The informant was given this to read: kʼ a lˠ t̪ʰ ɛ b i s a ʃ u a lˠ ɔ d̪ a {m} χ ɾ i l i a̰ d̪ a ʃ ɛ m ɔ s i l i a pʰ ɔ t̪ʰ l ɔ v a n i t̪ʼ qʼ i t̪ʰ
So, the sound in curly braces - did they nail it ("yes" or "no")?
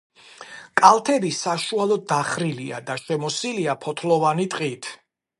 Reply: no